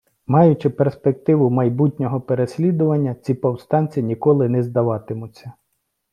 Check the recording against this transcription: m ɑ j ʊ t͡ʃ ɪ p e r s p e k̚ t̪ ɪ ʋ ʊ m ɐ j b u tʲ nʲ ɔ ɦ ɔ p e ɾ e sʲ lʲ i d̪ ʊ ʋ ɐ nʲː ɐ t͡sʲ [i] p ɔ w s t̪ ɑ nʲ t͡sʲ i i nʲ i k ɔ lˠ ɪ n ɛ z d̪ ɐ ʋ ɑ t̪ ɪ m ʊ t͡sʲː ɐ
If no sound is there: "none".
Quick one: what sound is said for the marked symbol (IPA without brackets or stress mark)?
i